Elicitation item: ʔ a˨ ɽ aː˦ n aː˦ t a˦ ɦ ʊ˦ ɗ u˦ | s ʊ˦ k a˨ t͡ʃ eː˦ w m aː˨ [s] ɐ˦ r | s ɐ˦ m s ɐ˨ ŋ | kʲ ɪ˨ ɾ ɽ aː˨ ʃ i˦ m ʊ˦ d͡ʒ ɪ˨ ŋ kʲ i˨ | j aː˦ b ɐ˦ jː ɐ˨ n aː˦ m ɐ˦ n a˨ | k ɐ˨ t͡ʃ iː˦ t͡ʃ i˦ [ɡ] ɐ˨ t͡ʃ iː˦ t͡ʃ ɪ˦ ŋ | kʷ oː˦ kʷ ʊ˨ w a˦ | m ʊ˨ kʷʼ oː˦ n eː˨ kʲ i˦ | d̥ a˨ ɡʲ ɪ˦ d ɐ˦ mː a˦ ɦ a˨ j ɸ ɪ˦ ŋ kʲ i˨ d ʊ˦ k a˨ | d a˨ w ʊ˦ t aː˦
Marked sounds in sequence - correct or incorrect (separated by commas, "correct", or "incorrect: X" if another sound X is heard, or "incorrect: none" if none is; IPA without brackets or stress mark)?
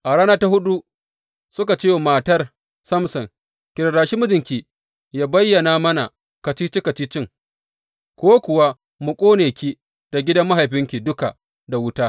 incorrect: t, incorrect: k